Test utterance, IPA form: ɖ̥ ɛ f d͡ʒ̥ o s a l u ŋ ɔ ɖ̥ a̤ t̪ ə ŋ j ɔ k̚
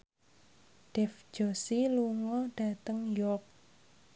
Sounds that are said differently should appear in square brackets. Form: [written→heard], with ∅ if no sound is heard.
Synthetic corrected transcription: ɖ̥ ɛ f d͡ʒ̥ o s [a→i] l u ŋ ɔ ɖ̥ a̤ t̪ ə ŋ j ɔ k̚